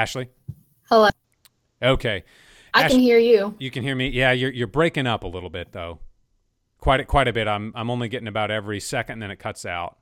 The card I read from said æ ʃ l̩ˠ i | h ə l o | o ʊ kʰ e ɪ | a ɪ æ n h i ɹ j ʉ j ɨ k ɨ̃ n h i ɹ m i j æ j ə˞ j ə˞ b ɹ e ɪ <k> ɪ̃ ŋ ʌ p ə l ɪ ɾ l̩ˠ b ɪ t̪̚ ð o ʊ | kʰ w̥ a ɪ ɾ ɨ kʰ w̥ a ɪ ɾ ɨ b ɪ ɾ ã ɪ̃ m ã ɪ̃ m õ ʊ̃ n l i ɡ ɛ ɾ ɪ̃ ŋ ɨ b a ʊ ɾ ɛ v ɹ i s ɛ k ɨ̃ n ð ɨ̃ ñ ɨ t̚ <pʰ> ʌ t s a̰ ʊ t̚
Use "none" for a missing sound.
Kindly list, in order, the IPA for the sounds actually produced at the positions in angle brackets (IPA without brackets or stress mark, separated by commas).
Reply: k, kʰ